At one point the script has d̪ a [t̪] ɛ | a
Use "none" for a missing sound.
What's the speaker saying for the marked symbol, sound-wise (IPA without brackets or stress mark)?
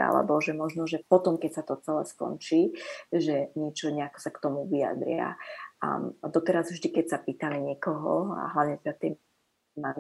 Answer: t̪